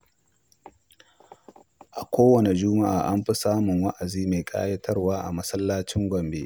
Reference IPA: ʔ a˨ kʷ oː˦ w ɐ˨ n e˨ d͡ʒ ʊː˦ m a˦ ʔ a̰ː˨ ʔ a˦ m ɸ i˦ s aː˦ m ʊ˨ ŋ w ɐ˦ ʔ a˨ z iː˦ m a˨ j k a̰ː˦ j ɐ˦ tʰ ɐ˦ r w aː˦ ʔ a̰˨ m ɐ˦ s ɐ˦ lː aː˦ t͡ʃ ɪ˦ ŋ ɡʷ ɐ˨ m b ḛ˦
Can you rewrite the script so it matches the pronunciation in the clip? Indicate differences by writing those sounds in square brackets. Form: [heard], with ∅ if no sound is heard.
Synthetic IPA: ʔ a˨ kʷ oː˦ w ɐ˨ n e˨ d͡ʒ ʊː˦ m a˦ ʔ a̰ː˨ ʔ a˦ m ɸ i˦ s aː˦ m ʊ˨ ŋ w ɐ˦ ʔ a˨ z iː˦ m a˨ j [kʼ] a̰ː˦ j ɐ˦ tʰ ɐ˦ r w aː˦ ʔ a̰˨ m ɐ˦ s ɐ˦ lː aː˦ t͡ʃ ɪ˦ ŋ ɡʷ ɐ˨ m b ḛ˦